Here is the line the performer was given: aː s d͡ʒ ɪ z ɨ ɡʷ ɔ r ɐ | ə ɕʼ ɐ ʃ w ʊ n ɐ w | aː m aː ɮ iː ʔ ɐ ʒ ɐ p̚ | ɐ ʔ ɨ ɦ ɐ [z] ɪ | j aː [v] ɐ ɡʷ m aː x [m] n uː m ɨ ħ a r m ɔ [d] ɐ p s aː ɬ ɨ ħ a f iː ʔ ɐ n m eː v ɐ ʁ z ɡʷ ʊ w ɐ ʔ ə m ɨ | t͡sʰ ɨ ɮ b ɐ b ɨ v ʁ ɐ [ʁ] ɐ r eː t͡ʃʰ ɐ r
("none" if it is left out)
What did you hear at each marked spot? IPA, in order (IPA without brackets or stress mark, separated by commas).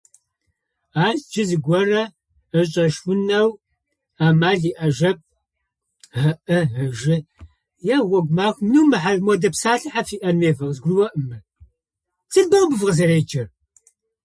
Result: ʒ, w, m, d, z